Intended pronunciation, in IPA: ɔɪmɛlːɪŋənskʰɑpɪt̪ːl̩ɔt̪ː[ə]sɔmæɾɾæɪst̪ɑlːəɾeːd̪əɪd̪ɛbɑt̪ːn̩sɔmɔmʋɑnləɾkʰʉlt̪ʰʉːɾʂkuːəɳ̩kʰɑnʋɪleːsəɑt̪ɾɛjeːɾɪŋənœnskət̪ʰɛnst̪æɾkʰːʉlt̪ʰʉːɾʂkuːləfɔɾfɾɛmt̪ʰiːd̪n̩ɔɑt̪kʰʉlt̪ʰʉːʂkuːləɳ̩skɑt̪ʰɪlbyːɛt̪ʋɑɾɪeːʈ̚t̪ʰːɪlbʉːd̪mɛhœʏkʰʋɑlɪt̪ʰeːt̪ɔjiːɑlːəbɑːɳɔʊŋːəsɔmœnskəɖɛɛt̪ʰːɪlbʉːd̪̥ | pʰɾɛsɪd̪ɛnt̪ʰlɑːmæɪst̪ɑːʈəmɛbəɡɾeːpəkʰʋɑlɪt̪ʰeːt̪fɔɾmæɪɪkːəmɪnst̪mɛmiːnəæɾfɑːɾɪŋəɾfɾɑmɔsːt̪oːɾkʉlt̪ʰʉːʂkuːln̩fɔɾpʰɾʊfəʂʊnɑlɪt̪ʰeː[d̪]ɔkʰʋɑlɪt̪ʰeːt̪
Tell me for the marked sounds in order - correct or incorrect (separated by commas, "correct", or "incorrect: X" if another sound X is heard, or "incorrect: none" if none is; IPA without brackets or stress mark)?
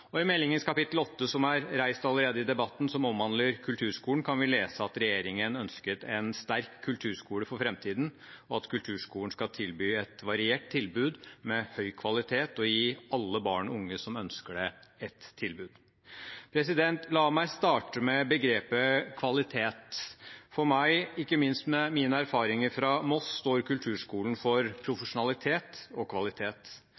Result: correct, incorrect: t̪